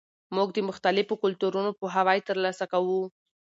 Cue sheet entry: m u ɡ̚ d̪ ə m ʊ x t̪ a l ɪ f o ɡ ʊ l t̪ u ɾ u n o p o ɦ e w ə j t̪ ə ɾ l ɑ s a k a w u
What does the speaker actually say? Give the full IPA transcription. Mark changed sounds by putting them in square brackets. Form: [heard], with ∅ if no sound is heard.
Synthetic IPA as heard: m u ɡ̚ d̪ ə m ʊ x t̪ a l ɪ f o [k] ʊ l t̪ u ɾ u n o p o ɦ [a] w [ɑ] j t̪ ə ɾ l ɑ s a k a w u

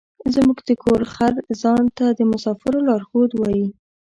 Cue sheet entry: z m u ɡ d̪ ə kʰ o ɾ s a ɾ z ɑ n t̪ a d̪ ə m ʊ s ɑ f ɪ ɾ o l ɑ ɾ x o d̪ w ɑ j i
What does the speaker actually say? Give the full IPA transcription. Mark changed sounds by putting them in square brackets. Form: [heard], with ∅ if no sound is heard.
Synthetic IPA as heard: z m u ɡ d̪ ə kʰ o ɾ [x] a ɾ z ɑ n t̪ a d̪ ə m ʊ s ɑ f ɪ ɾ o l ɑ ɾ x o d̪ w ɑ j i

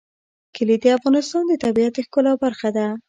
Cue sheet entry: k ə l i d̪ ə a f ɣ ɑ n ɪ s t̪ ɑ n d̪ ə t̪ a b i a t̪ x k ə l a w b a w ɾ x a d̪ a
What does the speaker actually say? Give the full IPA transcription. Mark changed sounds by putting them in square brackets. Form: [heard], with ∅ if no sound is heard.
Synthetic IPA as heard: k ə l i d̪ ə a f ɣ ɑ n ɪ s t̪ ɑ n d̪ ə t̪ a b i a t̪ x k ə l a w b a [∅] ɾ x a d̪ a

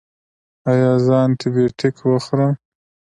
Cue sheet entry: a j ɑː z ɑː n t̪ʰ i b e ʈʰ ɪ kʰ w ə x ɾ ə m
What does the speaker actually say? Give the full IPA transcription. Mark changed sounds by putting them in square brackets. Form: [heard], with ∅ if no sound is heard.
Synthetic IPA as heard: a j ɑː z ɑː n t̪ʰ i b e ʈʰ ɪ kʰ w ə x ɾ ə m

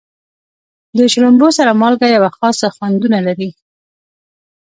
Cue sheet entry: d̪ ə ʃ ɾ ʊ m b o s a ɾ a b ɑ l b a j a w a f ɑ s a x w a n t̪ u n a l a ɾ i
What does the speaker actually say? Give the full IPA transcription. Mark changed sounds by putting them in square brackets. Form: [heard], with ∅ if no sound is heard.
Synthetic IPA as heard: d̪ ə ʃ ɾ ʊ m b o s a ɾ a [m] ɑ l [ɡ] a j a w a [x] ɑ s a x w a n [d̪] u n a l a ɾ i

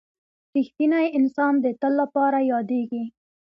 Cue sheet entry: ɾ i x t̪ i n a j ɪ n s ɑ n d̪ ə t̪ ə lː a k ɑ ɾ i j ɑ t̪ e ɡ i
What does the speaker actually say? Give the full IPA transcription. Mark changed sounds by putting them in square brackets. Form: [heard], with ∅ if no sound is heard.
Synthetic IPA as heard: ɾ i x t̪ i n a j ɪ n s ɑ n d̪ ə t̪ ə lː a [p] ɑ ɾ [a] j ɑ [d̪] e ɡ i

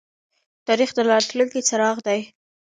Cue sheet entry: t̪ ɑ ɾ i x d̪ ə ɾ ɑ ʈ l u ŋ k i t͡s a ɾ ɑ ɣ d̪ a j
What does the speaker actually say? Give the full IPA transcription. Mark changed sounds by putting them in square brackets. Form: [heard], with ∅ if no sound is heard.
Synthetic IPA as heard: t̪ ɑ ɾ i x d̪ ə [l] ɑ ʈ l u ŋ k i t͡s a ɾ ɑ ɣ d̪ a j

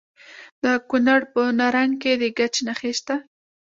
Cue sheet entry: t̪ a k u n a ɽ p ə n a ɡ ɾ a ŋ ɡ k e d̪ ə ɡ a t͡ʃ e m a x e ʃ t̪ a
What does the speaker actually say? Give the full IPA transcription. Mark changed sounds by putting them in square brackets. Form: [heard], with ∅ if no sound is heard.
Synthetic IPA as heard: [d̪] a k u n a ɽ p ə n a [∅] ɾ a ŋ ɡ k e d̪ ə ɡ a t͡ʃ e [n] a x e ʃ t̪ a

